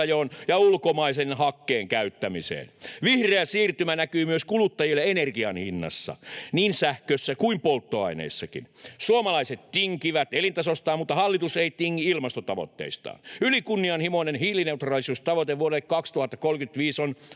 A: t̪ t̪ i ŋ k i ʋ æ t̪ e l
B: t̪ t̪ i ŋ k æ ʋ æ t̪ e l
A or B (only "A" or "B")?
A